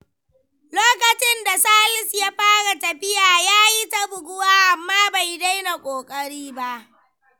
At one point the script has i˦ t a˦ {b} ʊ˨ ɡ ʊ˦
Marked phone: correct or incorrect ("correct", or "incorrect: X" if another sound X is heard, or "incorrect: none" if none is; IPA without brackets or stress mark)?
correct